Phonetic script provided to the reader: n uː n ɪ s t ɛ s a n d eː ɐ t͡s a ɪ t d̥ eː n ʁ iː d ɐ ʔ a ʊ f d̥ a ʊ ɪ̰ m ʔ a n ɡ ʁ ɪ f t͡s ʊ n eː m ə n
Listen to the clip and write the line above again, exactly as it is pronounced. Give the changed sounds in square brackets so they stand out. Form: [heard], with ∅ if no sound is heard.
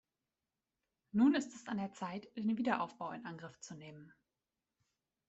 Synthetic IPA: n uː n ɪ s t ɛ s a n d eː ɐ t͡s a ɪ t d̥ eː n [v] iː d ɐ ʔ a ʊ f [b̥] a ʊ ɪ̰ [n] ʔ a n ɡ ʁ ɪ f t͡s [u] n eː m ə n